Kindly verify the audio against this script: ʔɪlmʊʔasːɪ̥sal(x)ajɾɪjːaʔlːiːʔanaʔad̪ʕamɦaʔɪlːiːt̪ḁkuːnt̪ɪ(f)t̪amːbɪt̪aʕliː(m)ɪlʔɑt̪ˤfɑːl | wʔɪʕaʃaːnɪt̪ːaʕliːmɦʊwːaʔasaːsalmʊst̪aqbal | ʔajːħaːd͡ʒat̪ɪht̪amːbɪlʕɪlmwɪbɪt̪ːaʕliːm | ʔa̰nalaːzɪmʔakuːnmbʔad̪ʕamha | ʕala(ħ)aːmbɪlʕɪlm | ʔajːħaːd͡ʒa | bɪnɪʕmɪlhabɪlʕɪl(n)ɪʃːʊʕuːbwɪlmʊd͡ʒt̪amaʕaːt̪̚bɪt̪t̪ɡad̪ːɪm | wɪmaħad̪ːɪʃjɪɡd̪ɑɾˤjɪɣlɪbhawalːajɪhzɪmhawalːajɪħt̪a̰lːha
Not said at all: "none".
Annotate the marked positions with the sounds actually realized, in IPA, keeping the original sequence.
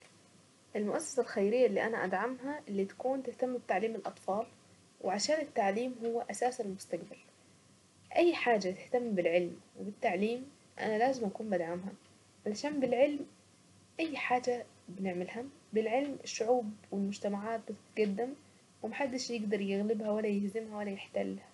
x, h, m, ʃ, m

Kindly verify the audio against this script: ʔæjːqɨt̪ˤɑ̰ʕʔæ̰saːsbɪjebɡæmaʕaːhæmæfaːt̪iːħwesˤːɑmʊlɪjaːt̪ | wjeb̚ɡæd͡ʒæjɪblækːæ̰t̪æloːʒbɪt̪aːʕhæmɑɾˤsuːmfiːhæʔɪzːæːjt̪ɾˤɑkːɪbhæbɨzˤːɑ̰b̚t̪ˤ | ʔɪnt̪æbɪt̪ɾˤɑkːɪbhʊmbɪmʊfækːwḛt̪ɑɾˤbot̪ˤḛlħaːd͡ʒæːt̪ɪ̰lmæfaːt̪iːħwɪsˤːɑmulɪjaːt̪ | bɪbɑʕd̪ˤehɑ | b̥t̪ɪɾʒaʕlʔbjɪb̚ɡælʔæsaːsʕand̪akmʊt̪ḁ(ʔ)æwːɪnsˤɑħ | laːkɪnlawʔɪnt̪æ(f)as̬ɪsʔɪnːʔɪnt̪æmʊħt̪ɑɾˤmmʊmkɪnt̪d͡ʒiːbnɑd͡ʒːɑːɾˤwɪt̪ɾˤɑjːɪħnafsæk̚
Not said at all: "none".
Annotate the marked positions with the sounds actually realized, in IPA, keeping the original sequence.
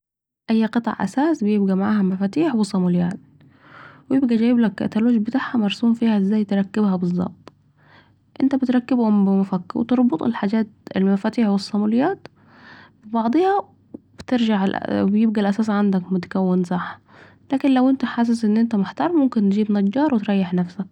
k, ħ

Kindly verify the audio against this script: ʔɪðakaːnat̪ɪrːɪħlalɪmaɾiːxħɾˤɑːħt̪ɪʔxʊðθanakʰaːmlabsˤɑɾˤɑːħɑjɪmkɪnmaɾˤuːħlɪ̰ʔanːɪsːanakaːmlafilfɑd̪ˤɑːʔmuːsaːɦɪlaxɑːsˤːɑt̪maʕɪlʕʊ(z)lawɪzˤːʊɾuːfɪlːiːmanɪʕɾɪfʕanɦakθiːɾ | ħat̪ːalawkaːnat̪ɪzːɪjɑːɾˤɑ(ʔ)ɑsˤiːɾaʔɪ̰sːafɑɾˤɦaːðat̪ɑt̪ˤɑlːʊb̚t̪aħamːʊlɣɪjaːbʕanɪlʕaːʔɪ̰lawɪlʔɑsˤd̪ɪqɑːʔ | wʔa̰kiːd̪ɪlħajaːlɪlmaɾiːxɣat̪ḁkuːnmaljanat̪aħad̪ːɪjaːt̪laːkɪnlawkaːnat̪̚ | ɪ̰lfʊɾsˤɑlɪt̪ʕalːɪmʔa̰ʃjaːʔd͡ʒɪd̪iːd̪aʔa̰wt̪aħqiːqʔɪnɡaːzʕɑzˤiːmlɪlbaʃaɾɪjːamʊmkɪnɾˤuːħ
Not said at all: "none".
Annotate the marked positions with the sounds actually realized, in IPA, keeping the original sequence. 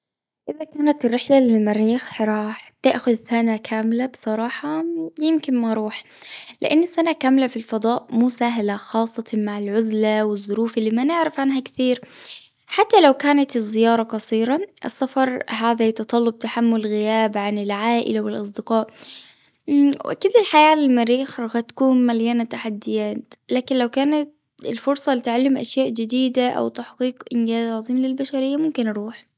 z, q

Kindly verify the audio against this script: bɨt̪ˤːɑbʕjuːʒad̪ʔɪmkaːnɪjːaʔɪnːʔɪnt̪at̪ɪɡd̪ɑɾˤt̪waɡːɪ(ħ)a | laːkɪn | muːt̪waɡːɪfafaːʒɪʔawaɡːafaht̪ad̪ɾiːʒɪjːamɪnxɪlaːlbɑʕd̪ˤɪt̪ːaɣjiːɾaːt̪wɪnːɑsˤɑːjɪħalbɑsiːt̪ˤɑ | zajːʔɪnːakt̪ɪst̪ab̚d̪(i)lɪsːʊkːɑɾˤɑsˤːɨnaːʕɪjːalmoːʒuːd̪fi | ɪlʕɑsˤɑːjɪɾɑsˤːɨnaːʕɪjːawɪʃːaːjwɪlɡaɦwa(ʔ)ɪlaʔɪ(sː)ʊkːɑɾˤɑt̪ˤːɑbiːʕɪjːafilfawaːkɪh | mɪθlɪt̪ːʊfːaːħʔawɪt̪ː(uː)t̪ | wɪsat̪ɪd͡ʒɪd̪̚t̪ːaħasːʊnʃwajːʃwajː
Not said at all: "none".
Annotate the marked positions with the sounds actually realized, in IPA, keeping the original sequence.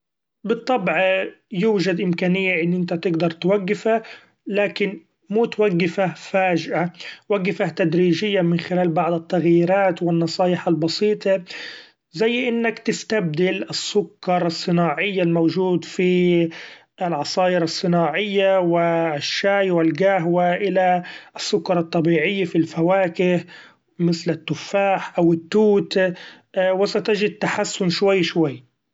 f, ɪ, ʔ, sː, uː

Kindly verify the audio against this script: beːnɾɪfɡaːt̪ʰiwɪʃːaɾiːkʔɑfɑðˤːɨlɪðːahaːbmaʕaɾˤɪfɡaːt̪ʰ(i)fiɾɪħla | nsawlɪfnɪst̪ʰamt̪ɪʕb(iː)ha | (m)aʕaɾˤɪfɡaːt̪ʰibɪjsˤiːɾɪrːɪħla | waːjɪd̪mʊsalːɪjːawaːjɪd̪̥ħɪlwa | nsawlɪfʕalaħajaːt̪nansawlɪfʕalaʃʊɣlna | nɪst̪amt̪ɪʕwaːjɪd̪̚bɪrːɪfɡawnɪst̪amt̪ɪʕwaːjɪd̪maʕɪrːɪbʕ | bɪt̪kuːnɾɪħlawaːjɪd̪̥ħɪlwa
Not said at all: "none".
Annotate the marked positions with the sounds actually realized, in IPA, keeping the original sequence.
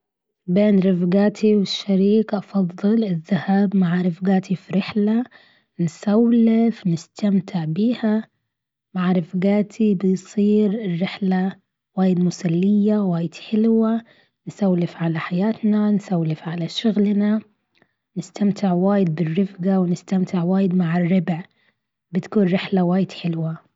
i, iː, m

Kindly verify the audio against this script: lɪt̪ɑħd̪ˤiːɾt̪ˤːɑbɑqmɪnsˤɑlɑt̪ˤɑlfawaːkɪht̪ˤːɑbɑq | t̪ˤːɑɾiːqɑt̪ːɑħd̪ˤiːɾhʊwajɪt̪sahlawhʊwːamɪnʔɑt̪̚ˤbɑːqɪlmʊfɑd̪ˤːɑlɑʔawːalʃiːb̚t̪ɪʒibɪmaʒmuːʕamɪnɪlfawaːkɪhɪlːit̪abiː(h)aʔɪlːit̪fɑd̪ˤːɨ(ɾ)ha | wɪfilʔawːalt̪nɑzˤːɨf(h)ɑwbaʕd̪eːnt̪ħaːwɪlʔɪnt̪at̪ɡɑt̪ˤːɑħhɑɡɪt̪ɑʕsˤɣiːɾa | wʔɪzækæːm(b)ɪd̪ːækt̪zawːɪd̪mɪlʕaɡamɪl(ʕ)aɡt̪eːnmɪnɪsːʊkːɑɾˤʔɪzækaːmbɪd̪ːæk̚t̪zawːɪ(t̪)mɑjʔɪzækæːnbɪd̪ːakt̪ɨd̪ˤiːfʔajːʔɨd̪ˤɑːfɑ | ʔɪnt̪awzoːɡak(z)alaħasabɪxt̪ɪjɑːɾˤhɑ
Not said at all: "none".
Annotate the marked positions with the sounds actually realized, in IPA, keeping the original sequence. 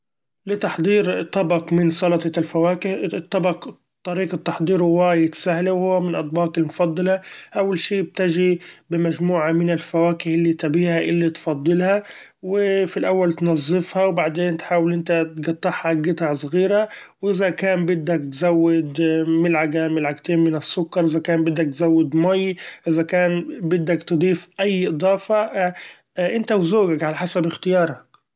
h, l, h, b, ʕ, d̪, ʕ

